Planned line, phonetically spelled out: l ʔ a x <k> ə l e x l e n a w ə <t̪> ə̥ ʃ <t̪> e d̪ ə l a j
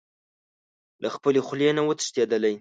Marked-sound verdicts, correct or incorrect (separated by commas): incorrect, correct, correct